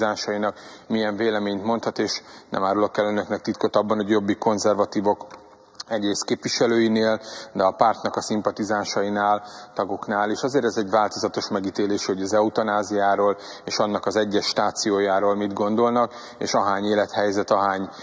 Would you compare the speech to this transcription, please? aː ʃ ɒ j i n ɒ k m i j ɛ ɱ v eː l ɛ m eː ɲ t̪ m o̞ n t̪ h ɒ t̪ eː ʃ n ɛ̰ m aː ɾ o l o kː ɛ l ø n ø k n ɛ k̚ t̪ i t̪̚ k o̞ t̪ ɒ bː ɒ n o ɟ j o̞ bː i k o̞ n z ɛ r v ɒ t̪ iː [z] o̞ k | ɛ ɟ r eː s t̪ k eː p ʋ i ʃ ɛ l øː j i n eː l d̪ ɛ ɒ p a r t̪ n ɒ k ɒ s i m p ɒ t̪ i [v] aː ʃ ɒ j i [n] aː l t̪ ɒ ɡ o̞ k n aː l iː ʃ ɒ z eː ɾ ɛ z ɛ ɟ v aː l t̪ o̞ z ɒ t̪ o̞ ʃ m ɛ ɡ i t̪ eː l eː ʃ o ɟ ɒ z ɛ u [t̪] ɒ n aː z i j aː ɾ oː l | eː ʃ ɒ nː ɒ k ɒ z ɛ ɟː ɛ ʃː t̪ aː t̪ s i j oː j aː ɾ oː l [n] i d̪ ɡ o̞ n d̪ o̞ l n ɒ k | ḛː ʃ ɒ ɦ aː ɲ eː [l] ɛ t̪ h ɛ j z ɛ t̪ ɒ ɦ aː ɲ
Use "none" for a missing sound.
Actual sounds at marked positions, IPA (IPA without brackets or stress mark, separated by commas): v, z, n, t̪, m, l